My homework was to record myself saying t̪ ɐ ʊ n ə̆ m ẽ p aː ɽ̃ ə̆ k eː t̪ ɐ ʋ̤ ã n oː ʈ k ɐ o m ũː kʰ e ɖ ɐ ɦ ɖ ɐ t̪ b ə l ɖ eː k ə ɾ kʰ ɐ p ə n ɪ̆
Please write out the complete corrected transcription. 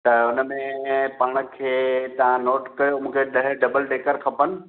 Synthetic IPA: t̪ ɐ ʊ n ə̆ m ẽ p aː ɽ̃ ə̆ kʰ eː t̪ ɐ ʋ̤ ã n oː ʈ k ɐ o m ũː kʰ e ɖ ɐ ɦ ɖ ɐ b ə l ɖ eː k ə ɾ kʰ ɐ p ə n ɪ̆